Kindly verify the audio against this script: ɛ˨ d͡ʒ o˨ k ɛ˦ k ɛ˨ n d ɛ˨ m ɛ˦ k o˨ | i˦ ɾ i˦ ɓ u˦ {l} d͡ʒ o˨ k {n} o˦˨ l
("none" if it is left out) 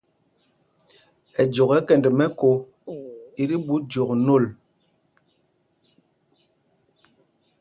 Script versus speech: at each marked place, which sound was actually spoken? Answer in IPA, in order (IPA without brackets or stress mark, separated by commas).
none, n